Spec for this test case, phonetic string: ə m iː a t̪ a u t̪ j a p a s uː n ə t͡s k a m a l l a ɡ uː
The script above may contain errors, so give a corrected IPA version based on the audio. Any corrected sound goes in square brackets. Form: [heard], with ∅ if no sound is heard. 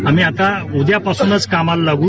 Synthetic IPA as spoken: [a] m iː a t̪ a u [d̪] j a p a s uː n ə t͡s k a m a l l a ɡ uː